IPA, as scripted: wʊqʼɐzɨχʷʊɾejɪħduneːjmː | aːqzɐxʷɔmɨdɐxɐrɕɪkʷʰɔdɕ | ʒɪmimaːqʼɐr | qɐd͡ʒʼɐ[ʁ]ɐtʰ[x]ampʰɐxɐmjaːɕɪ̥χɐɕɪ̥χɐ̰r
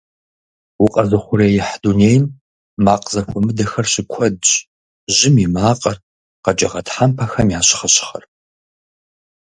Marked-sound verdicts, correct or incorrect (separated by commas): correct, incorrect